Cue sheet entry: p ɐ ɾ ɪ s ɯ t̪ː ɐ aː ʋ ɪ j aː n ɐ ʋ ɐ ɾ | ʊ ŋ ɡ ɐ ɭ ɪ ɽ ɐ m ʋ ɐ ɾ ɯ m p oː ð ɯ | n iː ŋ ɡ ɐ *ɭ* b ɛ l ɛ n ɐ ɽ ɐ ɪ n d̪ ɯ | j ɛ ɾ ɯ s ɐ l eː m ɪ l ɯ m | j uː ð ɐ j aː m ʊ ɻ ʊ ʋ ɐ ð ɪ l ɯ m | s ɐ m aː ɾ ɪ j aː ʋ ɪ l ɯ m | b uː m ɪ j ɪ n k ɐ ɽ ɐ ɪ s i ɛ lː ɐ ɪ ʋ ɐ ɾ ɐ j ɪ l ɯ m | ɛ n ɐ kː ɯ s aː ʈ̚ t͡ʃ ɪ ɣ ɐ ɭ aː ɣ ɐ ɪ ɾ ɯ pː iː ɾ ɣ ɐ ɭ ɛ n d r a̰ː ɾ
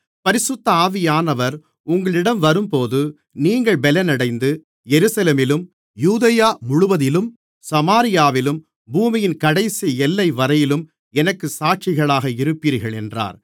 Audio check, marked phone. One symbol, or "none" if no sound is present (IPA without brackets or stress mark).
ɭ